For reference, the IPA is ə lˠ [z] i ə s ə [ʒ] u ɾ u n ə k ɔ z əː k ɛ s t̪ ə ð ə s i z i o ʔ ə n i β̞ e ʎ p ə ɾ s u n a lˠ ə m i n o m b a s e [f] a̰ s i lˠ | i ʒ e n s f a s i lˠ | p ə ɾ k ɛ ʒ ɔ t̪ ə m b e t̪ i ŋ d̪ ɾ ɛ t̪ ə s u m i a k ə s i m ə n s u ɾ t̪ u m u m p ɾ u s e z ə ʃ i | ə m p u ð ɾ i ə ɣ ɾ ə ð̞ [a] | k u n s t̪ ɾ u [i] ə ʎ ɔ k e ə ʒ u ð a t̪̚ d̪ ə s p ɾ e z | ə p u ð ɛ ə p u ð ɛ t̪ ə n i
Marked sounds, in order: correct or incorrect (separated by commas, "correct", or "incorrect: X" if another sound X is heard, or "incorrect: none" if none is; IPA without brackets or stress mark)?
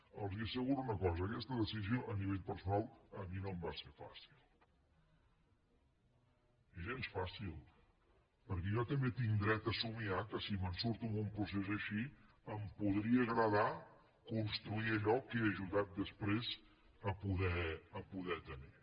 correct, incorrect: ɣ, correct, correct, correct